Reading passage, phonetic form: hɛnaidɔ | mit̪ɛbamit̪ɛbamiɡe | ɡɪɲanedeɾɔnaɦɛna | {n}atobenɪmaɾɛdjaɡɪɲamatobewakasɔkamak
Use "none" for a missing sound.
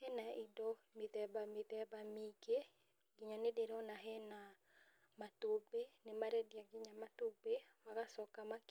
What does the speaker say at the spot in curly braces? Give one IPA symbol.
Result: m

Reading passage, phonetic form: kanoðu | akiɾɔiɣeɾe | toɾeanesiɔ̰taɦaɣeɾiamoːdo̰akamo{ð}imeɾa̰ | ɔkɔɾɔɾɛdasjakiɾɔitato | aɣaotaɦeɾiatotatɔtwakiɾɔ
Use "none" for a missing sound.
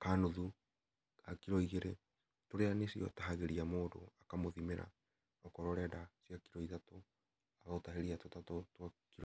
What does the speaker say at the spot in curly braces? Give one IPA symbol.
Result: ð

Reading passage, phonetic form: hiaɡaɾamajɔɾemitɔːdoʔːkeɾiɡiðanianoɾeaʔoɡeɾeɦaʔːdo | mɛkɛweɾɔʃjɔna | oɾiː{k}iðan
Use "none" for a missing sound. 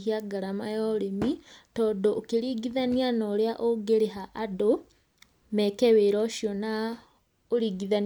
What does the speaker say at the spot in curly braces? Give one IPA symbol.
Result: ɡ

